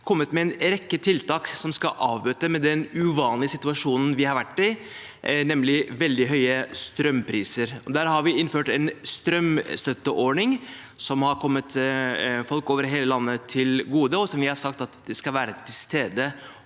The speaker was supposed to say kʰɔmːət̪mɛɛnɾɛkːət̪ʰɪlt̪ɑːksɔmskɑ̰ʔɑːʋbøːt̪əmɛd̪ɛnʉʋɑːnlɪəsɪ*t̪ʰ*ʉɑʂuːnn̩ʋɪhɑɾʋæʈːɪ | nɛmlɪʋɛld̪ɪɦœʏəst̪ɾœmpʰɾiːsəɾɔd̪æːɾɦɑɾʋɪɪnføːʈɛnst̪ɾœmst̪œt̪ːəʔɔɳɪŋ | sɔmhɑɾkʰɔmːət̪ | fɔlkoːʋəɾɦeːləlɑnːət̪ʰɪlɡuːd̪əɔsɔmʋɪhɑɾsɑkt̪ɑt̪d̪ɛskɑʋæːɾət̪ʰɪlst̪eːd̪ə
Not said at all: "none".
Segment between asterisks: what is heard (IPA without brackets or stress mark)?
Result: t̪